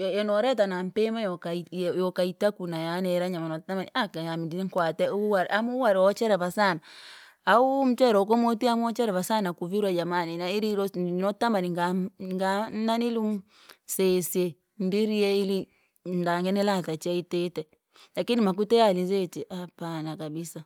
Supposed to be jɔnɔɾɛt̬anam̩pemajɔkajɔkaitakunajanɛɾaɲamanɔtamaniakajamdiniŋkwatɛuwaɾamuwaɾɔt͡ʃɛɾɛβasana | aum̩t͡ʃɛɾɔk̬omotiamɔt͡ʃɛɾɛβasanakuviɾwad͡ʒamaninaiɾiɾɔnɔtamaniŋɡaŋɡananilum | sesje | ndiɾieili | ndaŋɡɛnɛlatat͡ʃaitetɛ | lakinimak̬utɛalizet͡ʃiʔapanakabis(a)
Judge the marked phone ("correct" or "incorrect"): correct